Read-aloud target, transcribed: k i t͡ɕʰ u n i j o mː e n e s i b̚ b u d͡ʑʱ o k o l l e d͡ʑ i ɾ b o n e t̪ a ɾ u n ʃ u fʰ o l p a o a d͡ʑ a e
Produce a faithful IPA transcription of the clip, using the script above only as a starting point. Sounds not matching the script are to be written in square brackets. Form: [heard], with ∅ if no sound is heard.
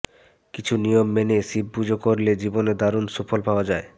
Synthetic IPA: k i t͡ɕʰ u n i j o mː e n e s i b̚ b u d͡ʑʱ o k o [ɾ] l e d͡ʑ i [∅] b o n e [d̪] a ɾ u n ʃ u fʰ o l p a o a d͡ʑ a e